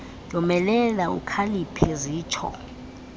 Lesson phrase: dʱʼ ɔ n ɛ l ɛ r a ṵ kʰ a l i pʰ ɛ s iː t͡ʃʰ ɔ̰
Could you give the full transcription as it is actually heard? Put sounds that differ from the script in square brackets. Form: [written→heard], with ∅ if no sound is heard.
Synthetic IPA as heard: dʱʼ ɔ [n→m] ɛ l ɛ [r→l] a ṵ kʰ a l i pʰ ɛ [s→z] iː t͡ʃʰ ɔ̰